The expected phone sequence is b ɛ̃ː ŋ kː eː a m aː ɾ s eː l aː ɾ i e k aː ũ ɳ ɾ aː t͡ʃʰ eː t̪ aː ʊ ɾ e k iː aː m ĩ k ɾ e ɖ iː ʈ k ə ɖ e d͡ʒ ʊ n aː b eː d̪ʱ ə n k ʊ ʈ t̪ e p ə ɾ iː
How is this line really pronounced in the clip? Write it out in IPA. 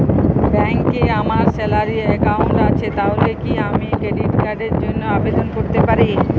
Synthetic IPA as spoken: b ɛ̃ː ŋ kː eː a m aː ɾ s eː l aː ɾ i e k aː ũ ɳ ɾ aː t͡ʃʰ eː t̪ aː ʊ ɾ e k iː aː m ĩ k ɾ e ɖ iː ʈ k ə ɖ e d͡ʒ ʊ n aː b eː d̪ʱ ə n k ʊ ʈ t̪ e p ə ɾ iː